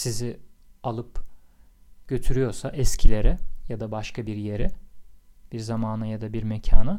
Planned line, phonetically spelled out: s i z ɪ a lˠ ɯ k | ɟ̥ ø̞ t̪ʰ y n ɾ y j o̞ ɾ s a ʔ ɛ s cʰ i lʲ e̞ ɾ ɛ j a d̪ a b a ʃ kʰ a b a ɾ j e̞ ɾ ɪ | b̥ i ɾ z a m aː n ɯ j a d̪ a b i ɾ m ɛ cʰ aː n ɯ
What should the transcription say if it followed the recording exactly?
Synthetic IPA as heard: s i z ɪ a lˠ ɯ p | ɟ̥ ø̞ t̪ʰ y ɾ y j o̞ ɾ s a ʔ ɛ s cʰ i lʲ e̞ ɾ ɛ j a d̪ a b a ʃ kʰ a b i ɾ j e̞ ɾ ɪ | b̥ i ɾ z a m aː n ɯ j a d̪ a b i ɾ m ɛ cʰ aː n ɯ